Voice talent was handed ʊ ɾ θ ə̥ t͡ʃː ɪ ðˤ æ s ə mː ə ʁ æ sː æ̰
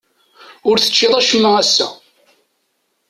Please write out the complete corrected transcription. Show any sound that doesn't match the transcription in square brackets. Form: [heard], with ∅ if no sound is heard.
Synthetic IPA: ʊ ɾ θ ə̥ t͡ʃː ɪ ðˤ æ [ʃ] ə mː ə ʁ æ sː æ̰